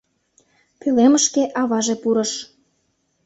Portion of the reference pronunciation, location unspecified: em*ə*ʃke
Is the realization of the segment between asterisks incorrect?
no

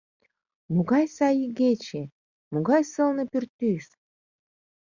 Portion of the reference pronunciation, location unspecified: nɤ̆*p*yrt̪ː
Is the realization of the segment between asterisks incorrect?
no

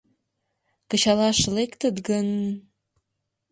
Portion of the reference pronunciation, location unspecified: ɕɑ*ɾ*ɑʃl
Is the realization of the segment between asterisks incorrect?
yes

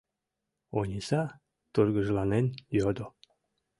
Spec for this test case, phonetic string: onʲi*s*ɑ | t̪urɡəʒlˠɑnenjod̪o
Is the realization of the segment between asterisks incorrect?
no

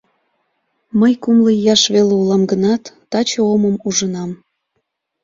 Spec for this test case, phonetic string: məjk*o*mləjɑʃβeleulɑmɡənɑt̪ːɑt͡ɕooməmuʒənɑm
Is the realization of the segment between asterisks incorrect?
yes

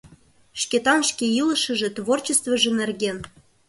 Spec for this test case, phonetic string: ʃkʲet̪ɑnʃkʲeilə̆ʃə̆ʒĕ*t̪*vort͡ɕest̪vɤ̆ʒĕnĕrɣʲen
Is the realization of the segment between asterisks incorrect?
no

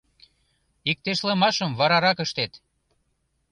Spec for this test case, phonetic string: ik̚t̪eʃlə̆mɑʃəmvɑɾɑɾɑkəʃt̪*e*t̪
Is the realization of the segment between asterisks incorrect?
no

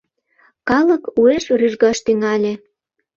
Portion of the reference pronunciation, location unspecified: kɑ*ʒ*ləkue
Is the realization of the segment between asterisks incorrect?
yes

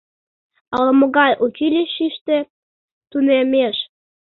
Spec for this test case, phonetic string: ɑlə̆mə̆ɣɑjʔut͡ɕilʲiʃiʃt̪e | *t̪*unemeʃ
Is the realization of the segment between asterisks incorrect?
no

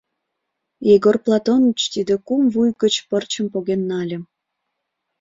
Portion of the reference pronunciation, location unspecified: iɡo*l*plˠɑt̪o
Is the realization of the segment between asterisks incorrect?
yes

